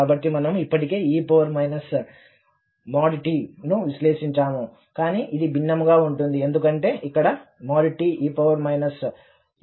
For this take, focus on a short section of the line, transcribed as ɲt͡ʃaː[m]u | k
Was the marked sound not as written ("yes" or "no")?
no